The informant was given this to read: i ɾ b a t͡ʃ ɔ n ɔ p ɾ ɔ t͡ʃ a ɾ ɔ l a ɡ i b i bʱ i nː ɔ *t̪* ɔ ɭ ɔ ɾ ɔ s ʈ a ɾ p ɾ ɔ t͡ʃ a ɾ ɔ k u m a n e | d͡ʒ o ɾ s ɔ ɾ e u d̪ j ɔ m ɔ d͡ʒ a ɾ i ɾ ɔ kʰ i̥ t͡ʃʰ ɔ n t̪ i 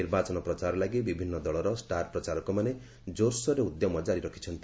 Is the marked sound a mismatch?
yes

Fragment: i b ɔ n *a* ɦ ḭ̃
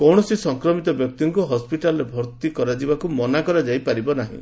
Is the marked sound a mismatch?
no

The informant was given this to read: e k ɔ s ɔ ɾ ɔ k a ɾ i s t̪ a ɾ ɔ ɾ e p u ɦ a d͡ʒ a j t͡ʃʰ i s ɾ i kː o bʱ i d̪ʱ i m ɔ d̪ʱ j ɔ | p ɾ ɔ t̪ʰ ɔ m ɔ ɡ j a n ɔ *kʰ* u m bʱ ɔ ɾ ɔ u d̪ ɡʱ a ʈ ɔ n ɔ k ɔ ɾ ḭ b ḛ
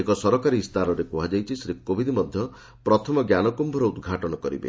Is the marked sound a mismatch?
yes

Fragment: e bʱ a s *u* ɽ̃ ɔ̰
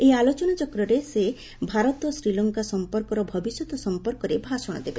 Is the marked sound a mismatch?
yes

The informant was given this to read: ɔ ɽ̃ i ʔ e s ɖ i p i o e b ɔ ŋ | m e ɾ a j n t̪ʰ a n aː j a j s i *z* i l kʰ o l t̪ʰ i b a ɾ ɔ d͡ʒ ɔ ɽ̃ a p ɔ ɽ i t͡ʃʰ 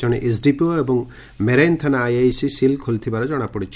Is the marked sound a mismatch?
yes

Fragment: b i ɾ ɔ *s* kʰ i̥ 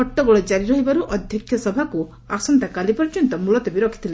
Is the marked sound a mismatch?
yes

